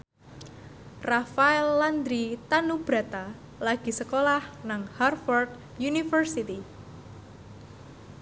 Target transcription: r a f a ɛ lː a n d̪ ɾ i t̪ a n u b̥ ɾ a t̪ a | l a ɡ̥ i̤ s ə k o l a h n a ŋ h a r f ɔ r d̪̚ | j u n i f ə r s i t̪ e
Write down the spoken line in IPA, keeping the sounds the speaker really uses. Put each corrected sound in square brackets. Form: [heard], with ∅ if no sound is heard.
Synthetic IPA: r a f a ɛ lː a n d̪ ɾ i t̪ a n u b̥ ɾ a t̪ a | l a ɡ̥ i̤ s ə k o l a h n a ŋ h a r f ɔ r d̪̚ | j u n i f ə r s i t̪ [i]

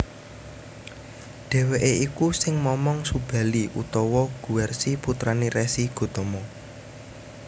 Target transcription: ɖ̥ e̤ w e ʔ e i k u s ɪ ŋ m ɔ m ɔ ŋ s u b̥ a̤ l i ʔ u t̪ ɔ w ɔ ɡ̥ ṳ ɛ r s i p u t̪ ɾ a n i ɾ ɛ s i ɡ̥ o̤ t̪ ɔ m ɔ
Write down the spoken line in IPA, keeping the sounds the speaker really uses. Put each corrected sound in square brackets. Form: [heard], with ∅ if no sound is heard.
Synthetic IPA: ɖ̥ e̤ w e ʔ e i k u s ɪ ŋ m ɔ m ɔ ŋ s u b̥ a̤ l i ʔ u t̪ ɔ w ɔ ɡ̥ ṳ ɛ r s i p u t̪ ɾ a n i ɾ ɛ s i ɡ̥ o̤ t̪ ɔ m ɔ

